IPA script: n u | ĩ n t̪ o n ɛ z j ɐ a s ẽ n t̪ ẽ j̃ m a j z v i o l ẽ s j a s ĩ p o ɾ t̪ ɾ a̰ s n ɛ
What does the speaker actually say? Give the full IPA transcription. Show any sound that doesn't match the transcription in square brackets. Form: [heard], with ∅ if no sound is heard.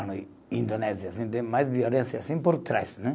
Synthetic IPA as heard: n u | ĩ n [d̪] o n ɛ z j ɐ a s [ĩ] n t̪ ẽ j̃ m a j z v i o l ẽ s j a s ĩ p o ɾ t̪ ɾ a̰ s n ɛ